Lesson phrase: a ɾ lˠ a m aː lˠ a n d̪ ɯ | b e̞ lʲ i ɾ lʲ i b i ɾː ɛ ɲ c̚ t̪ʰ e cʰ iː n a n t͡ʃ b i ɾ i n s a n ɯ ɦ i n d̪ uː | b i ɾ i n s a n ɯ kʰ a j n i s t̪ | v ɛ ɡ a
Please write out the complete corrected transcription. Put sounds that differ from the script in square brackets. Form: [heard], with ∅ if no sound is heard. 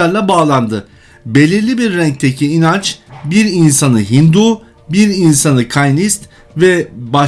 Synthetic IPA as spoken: a ɾ lˠ a [b] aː lˠ a n d̪ ɯ | b e̞ lʲ i ɾ lʲ i b i ɾː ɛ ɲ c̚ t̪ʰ e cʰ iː n a n t͡ʃ b i ɾ i n s a n ɯ ɦ i n d̪ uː | b i ɾ i n s a n ɯ kʰ a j n i s t̪ | v ɛ [b] a